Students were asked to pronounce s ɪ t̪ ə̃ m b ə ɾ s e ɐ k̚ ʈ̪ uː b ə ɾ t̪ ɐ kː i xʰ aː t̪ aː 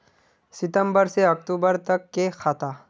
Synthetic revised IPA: s ɪ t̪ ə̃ m b ə ɾ s e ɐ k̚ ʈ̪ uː b ə ɾ t̪ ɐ kː e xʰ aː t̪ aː